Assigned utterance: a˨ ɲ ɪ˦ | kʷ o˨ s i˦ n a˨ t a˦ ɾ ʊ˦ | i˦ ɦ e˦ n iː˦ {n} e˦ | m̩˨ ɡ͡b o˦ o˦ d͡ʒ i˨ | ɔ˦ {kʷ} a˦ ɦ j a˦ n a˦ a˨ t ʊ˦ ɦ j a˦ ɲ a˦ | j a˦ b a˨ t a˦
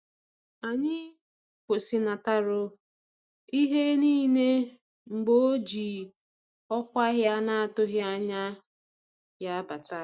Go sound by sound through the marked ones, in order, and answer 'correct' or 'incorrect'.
correct, correct

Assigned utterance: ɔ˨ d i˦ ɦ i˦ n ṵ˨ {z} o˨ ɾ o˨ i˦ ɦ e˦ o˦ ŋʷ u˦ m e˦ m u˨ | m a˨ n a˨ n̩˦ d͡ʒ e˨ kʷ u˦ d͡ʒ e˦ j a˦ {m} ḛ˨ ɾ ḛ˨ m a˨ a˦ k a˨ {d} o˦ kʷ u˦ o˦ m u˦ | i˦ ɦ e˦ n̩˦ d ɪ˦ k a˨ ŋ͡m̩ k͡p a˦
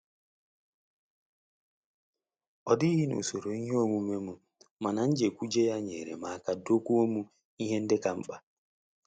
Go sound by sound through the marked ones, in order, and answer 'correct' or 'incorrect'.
incorrect: s, incorrect: ɲ, correct

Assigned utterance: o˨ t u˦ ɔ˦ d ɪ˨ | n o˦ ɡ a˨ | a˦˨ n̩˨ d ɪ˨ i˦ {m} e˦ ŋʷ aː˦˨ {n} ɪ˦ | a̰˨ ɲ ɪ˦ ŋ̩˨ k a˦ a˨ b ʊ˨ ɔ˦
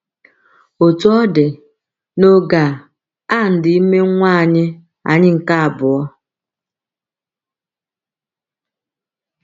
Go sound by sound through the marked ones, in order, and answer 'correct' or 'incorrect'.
correct, incorrect: ɲ

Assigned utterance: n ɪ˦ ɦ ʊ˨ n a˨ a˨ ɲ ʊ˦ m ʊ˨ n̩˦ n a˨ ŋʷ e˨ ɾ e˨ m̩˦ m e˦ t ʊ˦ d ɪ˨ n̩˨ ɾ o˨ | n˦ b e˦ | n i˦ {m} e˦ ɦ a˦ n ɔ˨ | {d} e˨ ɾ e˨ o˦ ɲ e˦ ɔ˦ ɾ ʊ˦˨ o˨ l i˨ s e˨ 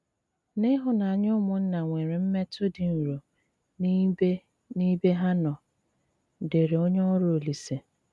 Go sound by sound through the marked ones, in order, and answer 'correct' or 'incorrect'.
incorrect: b, correct

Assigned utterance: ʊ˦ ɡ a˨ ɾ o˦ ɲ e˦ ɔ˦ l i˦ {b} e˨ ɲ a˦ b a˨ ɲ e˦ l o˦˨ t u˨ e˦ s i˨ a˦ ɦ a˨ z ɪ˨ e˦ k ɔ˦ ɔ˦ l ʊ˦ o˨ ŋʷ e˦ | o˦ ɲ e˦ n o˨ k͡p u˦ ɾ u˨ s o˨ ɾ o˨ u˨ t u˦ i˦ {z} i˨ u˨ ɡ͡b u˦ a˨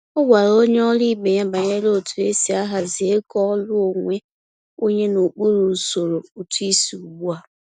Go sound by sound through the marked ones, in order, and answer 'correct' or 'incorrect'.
correct, incorrect: s

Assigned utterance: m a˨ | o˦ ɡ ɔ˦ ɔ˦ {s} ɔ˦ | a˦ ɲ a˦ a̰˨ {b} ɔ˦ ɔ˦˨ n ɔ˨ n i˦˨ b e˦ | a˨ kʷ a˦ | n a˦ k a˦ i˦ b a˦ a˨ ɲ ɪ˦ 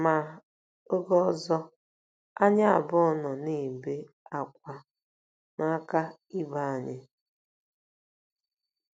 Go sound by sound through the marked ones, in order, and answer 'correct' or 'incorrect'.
incorrect: z, correct

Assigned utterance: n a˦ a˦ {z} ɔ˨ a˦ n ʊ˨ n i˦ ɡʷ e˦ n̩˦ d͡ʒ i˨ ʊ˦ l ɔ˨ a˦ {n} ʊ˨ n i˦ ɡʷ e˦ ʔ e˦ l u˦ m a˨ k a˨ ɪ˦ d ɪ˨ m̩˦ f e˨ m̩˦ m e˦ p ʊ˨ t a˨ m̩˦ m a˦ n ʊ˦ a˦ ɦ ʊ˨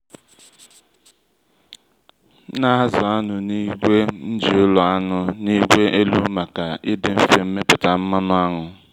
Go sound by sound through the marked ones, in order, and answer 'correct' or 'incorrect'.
correct, correct

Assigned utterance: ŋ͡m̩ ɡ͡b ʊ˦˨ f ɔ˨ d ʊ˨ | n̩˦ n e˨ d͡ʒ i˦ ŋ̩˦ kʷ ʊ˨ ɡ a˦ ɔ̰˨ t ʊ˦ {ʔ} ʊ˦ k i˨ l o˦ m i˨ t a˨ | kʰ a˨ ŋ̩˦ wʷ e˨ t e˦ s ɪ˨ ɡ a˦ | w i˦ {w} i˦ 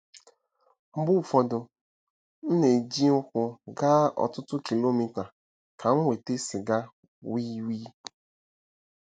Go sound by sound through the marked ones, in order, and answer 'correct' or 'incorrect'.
incorrect: t, correct

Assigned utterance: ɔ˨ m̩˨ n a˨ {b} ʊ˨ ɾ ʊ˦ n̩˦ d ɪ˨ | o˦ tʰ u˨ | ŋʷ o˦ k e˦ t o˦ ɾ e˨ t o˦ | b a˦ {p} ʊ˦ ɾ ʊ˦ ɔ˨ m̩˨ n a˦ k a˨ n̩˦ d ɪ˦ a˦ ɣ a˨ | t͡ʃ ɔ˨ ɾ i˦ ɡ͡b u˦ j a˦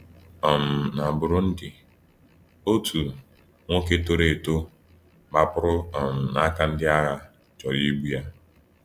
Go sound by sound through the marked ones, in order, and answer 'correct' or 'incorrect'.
correct, correct

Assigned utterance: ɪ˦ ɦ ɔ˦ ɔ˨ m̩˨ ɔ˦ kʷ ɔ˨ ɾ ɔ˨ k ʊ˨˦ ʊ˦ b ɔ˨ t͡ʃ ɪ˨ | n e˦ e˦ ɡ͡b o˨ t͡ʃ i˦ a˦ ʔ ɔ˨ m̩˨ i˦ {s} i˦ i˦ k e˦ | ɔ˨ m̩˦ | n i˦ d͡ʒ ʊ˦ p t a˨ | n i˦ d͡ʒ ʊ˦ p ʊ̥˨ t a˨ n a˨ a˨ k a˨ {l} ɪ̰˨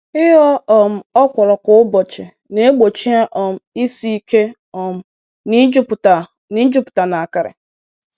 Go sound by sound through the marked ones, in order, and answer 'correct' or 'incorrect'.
correct, incorrect: ɾ

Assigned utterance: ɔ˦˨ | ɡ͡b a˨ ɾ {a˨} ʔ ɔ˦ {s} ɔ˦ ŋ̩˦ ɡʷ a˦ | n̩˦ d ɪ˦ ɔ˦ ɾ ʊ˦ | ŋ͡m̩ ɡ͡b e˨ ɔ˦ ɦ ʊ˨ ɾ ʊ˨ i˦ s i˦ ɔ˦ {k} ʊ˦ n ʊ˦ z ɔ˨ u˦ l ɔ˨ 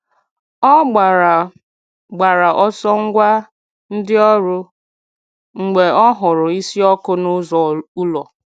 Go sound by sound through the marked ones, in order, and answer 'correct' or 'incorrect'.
correct, correct, correct

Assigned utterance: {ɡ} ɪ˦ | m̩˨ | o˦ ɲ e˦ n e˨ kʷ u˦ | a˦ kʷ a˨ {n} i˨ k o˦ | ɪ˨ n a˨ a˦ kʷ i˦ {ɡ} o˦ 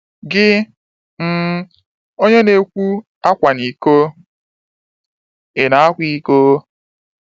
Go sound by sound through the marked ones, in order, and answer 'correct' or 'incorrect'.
correct, correct, incorrect: k

